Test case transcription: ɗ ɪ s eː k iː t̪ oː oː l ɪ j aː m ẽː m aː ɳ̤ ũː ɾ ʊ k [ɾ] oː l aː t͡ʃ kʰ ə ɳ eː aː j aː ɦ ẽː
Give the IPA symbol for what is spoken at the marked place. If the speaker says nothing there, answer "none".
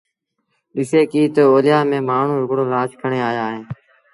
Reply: ɽ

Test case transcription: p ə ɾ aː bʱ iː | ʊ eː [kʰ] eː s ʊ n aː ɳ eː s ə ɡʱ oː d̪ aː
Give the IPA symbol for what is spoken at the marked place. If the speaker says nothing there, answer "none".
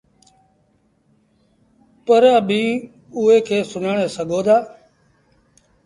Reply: kʰ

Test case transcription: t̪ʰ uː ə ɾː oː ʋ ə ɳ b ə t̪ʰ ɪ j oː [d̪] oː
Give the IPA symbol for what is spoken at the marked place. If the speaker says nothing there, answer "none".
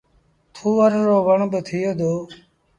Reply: d̪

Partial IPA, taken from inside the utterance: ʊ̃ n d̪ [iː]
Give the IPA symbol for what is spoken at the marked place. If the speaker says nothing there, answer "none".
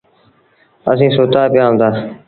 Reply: aː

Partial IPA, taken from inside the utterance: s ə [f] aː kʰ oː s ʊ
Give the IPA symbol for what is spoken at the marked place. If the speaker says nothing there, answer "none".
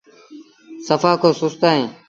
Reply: f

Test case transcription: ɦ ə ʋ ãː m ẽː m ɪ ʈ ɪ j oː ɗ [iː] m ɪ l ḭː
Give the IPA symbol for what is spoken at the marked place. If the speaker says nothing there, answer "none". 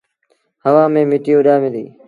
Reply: aː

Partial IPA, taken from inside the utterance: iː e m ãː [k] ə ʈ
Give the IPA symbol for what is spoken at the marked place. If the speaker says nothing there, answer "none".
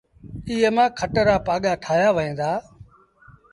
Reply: kʰ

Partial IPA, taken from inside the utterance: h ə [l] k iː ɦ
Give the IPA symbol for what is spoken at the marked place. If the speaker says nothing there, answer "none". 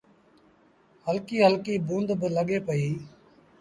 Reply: l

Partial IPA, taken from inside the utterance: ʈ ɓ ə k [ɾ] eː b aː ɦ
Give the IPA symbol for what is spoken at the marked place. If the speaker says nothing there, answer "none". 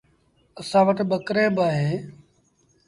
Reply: ɾ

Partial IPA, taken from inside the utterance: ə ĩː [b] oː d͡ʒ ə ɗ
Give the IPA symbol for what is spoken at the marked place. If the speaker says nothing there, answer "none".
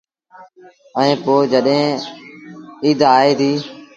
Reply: p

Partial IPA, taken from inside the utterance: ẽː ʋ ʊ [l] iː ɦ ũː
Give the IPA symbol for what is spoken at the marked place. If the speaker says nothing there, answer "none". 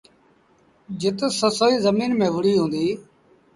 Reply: ɽ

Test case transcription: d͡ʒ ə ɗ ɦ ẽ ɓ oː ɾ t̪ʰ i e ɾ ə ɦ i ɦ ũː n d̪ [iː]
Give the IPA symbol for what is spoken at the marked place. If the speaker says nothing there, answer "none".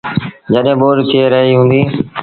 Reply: iː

